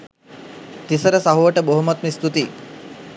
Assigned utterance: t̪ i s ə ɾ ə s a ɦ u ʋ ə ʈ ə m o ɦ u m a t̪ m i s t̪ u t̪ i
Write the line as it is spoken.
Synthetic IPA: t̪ i s ə ɾ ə s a ɦ u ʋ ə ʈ ə b o ɦ u m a t̪ m i s t̪ u t̪ i